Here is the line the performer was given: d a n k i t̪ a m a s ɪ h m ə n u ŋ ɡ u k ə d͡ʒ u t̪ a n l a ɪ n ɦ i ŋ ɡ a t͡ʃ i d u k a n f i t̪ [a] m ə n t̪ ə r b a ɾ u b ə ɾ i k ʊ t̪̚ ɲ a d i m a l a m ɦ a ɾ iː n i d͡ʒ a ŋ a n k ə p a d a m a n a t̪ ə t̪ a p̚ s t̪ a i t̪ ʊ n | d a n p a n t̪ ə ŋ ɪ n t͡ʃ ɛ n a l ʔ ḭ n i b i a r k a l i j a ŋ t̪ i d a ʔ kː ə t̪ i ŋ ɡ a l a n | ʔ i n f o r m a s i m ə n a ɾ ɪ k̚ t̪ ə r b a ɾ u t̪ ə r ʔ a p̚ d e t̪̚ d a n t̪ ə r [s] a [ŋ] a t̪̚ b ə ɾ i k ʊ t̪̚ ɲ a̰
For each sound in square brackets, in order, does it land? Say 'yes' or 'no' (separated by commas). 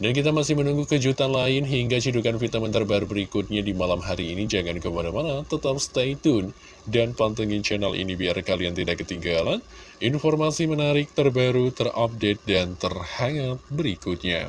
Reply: yes, no, yes